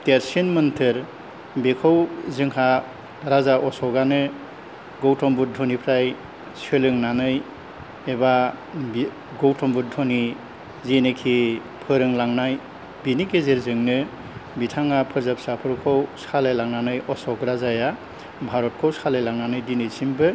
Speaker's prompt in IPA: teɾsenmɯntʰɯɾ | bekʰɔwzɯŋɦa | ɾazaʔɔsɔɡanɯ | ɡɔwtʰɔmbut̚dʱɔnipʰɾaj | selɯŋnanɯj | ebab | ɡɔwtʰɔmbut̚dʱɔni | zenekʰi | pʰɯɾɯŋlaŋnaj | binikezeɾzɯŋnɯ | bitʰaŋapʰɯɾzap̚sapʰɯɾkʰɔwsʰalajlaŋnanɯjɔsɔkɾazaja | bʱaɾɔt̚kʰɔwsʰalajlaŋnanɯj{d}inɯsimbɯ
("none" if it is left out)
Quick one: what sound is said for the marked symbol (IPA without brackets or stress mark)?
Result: d